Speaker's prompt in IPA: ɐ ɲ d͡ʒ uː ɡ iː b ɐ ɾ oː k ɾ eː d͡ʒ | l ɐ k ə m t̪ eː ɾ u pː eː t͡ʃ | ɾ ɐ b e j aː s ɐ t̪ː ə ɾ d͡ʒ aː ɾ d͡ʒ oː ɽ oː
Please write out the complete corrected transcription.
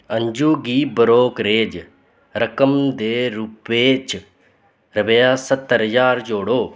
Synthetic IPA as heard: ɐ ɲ d͡ʒ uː ɡ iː b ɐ ɾ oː k ɾ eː d͡ʒ | ɾ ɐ k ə m d̪ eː ɾ u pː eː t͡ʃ | ɾ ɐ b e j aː s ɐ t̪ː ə ɾ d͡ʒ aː ɾ d͡ʒ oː ɽ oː